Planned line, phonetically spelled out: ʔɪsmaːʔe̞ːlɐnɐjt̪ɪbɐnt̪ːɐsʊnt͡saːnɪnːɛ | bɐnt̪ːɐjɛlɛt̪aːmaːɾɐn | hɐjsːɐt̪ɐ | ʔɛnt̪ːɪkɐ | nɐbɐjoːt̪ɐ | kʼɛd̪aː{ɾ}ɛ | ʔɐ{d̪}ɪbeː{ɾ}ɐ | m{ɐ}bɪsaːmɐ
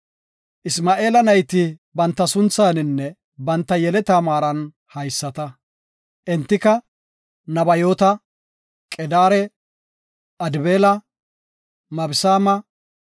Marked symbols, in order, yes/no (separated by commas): yes, yes, no, yes